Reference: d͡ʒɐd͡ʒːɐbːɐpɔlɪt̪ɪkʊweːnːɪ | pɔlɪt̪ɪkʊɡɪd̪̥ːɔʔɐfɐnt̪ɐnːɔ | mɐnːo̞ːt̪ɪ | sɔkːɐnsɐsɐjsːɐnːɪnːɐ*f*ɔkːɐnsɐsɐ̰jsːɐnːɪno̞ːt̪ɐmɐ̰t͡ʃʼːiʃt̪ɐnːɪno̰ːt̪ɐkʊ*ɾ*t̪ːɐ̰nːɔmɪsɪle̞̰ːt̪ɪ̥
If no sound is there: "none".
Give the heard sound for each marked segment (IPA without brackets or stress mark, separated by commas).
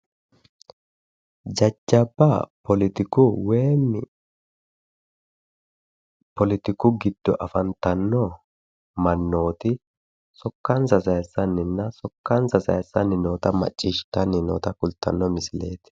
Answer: s, l